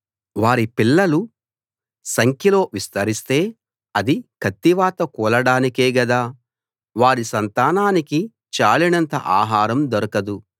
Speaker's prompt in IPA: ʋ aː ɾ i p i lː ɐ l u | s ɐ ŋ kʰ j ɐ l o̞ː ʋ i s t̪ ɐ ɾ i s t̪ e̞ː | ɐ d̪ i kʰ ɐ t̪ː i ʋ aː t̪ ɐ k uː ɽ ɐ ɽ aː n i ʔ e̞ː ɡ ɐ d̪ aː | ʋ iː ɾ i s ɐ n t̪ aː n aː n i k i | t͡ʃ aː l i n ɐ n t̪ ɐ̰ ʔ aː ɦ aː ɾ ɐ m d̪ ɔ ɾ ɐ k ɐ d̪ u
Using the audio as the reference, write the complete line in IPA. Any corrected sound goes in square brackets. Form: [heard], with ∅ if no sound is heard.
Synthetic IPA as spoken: ʋ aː ɾ i p i lː ɐ l u | s ɐ ŋ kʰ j ɐ l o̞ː ʋ i s t̪ ɐ ɾ i s t̪ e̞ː | ɐ d̪ i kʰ ɐ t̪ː i ʋ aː t̪ ɐ k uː [l] ɐ ɽ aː n i [k] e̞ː ɡ ɐ d̪ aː | ʋ [aː] ɾ i s ɐ n t̪ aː n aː n i k i | t͡ʃ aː l i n ɐ n t̪ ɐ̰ ʔ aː ɦ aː ɾ ɐ m d̪ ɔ ɾ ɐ k ɐ d̪ u